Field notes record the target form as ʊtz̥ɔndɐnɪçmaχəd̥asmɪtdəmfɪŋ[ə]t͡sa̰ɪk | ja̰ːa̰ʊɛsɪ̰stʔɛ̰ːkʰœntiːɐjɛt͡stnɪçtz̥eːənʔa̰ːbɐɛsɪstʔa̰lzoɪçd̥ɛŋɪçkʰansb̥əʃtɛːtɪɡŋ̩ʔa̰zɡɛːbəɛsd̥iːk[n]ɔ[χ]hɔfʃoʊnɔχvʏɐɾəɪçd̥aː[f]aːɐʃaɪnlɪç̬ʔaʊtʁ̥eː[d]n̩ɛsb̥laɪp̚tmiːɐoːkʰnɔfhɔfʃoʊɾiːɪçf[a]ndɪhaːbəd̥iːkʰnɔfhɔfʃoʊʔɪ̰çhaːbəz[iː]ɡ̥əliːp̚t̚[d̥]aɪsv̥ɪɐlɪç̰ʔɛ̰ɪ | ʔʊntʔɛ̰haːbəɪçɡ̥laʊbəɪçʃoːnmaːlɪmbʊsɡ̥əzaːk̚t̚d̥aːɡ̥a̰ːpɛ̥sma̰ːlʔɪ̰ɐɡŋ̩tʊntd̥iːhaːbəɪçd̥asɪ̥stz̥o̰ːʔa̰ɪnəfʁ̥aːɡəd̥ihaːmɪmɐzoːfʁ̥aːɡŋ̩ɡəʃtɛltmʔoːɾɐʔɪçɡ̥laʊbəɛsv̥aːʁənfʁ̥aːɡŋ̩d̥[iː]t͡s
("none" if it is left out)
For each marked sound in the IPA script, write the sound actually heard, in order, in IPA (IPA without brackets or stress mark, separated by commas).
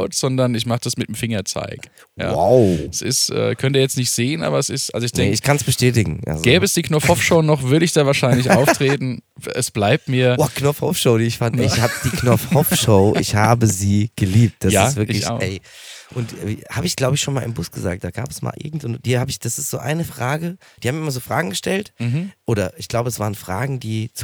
ɐ, n, f, v, t, a, iː, d̥, iː